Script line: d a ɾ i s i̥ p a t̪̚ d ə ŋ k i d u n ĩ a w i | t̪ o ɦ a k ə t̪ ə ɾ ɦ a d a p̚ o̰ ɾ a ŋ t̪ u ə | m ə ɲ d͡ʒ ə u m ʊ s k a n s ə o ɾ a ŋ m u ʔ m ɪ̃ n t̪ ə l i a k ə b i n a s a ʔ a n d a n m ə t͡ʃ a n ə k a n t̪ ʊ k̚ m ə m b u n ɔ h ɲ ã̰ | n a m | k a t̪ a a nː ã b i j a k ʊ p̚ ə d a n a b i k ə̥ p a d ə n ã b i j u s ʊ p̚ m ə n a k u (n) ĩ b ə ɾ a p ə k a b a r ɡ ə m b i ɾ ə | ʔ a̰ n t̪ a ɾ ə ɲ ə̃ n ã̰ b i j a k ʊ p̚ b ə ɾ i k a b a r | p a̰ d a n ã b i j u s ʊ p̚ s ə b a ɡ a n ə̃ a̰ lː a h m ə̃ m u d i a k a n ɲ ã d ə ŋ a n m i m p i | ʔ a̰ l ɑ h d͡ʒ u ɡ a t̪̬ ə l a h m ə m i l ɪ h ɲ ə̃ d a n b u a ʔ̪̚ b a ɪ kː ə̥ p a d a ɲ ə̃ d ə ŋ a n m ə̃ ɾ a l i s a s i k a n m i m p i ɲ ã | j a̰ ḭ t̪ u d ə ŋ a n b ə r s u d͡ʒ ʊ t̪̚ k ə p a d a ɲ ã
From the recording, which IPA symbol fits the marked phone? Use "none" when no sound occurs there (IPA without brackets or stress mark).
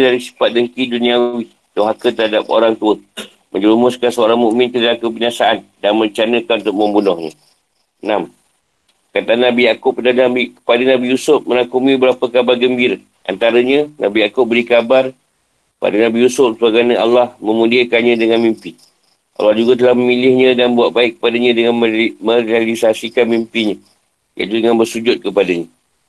m